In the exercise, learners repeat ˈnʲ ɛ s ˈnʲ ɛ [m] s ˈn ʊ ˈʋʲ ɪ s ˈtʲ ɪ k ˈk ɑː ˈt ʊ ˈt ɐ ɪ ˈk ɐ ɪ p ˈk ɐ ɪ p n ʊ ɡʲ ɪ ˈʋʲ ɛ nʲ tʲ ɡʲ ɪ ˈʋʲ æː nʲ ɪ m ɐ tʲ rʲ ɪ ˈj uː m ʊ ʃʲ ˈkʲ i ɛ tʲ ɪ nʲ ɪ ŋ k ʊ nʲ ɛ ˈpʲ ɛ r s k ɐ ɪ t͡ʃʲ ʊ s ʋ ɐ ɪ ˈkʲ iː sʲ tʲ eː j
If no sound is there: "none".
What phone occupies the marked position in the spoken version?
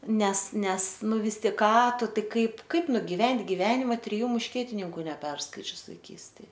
none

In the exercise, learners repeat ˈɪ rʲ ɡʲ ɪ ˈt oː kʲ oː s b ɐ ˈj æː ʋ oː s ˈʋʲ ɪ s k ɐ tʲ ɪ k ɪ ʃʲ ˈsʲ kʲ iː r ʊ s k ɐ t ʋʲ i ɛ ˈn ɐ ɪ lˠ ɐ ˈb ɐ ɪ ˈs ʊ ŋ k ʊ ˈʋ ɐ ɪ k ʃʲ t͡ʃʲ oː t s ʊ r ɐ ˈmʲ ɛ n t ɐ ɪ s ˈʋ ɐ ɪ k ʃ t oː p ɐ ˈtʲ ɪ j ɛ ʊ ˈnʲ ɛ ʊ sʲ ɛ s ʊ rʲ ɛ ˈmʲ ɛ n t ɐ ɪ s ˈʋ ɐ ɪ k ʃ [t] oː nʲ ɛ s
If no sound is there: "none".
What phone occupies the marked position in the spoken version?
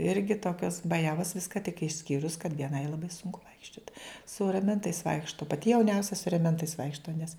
t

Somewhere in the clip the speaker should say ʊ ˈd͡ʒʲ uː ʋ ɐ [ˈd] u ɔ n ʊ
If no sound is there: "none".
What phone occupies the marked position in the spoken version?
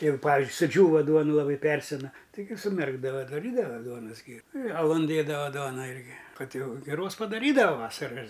d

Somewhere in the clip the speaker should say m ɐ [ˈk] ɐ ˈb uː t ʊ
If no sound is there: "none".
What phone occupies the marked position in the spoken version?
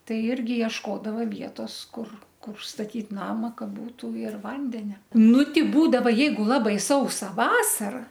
k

